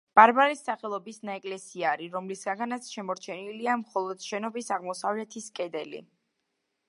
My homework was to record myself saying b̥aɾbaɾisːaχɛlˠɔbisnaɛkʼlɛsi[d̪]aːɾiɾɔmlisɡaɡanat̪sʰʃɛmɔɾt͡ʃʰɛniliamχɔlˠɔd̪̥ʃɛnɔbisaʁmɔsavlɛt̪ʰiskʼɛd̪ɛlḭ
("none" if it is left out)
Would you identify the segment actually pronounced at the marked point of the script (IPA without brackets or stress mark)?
none